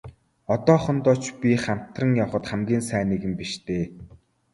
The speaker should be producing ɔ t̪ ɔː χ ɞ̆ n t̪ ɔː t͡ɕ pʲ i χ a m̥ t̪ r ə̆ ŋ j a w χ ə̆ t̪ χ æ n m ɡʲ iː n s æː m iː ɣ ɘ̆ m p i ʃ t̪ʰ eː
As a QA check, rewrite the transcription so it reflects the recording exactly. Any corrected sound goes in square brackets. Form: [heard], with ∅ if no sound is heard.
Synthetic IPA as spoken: ɔ t̪ ɔː χ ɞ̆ n t̪ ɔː t͡ɕ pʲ i χ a m̥ t̪ r ə̆ ŋ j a w χ ə̆ t̪ χ æ [∅] m ɡʲ iː n s æː [n] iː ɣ ɘ̆ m p i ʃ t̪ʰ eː